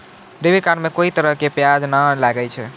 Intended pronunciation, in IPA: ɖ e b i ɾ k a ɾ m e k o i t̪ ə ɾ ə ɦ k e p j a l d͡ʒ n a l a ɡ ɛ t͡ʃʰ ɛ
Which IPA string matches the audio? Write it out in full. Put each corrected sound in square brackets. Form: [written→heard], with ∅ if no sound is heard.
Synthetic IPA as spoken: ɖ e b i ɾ k a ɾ m e k o i t̪ ə ɾ ə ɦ k e p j a [l→∅] d͡ʒ n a l a ɡ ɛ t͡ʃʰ ɛ